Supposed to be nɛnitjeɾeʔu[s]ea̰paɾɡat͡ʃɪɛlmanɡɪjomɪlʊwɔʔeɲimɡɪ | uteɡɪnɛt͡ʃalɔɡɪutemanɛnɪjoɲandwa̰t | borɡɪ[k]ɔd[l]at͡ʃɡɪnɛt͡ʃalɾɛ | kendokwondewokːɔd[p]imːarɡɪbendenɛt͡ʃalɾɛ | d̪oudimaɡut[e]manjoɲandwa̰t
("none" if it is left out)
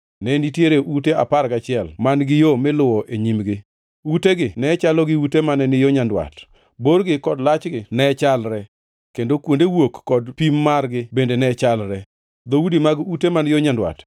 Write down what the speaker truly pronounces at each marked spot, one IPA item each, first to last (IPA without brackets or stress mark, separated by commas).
t, k, l, p, e